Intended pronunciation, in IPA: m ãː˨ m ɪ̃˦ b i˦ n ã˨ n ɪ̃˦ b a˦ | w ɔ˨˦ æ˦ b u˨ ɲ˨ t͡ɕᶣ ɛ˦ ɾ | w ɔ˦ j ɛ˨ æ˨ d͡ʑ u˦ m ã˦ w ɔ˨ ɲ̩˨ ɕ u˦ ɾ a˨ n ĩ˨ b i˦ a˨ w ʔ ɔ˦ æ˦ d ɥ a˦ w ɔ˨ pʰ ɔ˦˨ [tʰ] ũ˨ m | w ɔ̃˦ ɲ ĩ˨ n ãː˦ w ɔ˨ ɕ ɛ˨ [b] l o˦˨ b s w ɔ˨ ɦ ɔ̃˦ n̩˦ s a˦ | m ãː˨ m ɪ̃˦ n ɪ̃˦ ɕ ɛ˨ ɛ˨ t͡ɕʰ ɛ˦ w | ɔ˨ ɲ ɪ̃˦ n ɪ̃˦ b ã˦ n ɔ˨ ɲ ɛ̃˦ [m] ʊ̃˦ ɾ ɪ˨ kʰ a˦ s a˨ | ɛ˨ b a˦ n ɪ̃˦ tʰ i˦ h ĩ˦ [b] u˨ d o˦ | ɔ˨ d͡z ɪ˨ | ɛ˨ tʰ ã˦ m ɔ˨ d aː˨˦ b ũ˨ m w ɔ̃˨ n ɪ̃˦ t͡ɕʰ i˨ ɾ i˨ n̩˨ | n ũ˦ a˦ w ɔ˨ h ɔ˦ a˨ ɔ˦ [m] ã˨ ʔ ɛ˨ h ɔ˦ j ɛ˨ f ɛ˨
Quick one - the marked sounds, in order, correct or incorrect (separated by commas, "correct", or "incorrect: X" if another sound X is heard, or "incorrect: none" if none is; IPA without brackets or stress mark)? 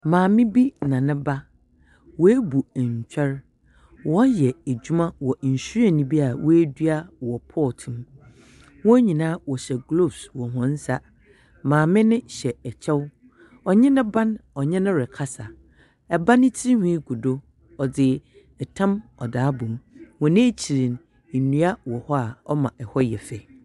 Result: correct, incorrect: ɡ, incorrect: n, incorrect: ɡ, correct